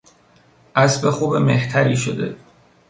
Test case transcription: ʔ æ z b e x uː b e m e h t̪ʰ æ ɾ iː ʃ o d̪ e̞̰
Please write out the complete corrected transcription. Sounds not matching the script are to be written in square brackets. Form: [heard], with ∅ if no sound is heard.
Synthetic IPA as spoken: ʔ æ [s] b e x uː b e m e h t̪ʰ æ ɾ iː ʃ o d̪ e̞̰

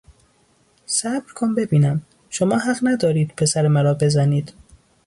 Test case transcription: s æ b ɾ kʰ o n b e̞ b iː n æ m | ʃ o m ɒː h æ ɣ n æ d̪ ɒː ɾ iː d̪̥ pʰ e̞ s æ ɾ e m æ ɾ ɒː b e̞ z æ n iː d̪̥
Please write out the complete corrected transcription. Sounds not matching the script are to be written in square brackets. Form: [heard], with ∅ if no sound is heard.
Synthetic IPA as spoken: s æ b ɾ kʰ o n b e̞ b iː n æ m | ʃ o m ɒː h æ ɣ n æ d̪ ɒː ɾ iː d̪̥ pʰ e̞ s æ ɾ e m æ ɾ ɒː b e̞ z æ n iː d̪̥

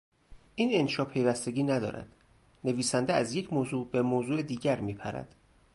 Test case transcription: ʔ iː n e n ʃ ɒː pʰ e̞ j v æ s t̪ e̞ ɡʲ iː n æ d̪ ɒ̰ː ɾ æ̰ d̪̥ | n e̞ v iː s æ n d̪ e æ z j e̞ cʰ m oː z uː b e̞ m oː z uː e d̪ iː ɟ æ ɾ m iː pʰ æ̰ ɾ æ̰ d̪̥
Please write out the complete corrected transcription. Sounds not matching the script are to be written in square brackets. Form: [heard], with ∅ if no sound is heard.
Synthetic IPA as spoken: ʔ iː n e n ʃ ɒː pʰ e̞ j v æ s t̪ e̞ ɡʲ iː n æ d̪ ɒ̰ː ɾ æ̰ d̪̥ | n e̞ v iː s æ n d̪ e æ z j e̞ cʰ m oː z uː b e̞ m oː z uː e d̪ iː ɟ æ ɾ m iː pʰ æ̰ ɾ æ̰ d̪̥

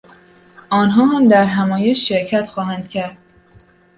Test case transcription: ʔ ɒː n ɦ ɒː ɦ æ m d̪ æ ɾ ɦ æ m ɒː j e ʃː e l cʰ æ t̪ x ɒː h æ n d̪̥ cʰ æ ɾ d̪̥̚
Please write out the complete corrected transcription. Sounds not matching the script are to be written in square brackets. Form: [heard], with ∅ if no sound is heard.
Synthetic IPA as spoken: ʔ ɒː n ɦ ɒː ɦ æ m d̪ æ ɾ ɦ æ m ɒː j e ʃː e [ɾ] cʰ æ t̪ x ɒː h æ n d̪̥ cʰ æ ɾ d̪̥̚

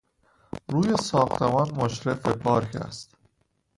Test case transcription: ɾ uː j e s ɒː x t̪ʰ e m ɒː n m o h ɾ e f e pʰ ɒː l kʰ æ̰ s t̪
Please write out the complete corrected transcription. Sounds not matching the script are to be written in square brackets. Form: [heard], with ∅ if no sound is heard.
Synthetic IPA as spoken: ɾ uː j e s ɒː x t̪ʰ e m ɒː n m o [ʃ] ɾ e f e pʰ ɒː [ɾ] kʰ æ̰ s t̪

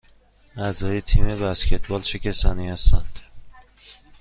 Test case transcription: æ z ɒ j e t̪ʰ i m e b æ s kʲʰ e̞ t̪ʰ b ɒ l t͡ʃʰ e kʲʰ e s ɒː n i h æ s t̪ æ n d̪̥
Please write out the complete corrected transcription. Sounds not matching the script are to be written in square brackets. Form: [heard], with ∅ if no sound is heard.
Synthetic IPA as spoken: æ z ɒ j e t̪ʰ i m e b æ s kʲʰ e̞ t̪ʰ b ɒ l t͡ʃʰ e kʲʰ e s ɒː n i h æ s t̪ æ n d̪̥

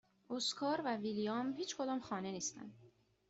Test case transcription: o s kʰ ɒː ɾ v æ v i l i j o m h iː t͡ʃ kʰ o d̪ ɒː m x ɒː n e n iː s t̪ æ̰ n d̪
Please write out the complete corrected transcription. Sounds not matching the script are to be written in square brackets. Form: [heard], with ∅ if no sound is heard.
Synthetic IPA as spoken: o s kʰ ɒː ɾ v æ v i l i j [ɒ] m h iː t͡ʃ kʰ o d̪ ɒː m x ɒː n e n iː s t̪ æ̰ n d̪

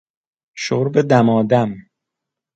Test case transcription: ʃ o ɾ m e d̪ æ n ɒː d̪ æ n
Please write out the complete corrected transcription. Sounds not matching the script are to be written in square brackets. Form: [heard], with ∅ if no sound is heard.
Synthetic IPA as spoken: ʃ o ɾ [b] e d̪ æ [m] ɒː d̪ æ [m]

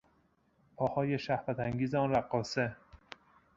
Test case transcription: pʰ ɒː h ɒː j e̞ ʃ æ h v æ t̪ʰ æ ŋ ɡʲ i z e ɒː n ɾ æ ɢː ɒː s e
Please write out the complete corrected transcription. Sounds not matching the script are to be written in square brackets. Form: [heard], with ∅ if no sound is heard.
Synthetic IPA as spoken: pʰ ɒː h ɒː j e̞ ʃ æ h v æ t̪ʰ æ ŋ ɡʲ [iː] z e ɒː n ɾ æ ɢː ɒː s e

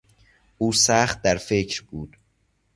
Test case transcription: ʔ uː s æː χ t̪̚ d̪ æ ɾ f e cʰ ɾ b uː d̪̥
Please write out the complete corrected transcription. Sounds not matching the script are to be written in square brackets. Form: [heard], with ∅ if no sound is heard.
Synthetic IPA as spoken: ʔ uː s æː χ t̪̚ d̪ æ ɾ f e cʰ ɾ b uː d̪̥

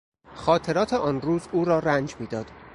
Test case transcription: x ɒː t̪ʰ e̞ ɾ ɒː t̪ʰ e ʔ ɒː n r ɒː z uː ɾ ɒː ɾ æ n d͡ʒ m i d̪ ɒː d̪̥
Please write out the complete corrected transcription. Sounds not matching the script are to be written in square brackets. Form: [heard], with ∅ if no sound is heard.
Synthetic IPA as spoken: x ɒː t̪ʰ e̞ ɾ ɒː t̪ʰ e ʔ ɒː n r [uː] z uː ɾ ɒː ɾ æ n d͡ʒ m [iː] d̪ ɒː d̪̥

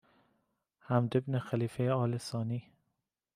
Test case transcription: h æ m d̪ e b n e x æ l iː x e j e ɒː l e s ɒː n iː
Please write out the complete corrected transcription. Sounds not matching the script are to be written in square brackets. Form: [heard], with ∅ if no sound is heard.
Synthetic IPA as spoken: h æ m d̪ e b n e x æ l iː [f] e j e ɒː l e s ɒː n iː

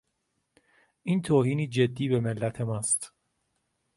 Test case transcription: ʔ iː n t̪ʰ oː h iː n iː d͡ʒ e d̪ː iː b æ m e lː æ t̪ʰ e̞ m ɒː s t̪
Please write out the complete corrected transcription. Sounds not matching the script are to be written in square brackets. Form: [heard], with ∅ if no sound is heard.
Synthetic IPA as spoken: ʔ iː n t̪ʰ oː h iː n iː d͡ʒ e d̪ː iː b [e] m e lː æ t̪ʰ e̞ m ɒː s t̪

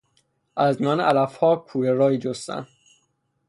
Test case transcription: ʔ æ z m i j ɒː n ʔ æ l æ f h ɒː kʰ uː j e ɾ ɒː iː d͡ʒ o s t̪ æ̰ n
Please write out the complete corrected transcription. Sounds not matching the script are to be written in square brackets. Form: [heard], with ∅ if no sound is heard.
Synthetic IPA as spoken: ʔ æ z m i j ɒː n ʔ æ l æ f h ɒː kʰ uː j e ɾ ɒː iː d͡ʒ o s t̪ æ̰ n

